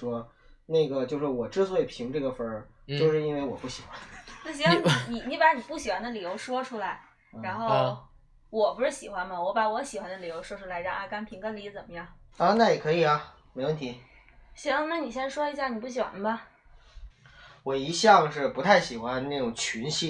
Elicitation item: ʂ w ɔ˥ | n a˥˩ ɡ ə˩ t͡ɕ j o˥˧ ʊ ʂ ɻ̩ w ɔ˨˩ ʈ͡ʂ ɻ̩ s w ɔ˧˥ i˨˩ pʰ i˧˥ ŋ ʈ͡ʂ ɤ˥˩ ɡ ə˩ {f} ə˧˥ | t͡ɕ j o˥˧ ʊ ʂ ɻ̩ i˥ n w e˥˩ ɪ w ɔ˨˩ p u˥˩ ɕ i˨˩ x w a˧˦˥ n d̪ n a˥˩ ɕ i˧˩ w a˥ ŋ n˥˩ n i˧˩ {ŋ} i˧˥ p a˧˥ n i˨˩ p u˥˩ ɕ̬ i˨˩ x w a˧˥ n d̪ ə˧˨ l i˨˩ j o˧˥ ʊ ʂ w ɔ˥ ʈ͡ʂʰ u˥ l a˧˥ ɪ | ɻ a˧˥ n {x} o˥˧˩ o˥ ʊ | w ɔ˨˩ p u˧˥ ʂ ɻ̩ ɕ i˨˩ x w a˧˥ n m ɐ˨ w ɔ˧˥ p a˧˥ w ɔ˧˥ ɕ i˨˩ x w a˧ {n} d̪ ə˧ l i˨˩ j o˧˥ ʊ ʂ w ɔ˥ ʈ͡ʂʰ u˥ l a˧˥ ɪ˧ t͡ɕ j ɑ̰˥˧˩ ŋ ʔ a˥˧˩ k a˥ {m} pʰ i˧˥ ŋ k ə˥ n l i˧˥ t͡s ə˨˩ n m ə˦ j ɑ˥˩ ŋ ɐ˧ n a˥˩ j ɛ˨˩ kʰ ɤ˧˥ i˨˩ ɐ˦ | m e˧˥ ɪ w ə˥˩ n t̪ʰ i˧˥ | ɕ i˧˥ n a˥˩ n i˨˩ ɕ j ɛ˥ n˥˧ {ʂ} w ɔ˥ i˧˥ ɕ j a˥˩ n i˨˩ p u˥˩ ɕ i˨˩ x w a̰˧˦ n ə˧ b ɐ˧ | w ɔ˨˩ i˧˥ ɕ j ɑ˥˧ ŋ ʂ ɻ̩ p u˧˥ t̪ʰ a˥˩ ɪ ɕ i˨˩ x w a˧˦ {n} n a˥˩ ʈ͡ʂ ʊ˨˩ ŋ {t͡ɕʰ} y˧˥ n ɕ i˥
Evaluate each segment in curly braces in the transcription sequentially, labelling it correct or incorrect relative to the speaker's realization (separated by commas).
correct, incorrect, correct, correct, incorrect, correct, correct, correct